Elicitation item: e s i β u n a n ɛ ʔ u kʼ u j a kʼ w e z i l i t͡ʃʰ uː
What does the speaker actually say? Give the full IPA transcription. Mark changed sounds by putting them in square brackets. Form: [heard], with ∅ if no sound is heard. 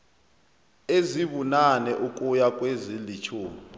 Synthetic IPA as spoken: e [z] i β u n a n ɛ ʔ u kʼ u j a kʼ w e z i l i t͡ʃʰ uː